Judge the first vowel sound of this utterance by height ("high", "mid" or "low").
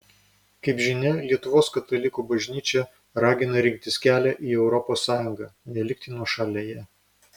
low